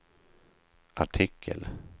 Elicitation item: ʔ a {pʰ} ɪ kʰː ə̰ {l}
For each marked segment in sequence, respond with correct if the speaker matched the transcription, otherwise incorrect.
incorrect: ʈʰ, correct

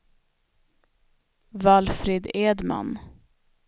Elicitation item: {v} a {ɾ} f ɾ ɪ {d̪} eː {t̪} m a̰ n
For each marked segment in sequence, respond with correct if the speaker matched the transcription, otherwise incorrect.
correct, incorrect: l, correct, incorrect: d̪

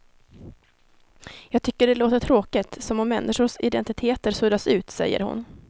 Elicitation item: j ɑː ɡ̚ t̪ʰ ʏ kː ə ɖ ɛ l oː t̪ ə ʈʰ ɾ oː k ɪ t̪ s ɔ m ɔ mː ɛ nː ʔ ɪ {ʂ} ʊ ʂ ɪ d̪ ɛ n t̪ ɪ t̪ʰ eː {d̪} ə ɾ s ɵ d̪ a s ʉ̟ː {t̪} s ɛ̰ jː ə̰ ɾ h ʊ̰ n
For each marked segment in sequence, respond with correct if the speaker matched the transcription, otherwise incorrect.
correct, incorrect: t̪, correct

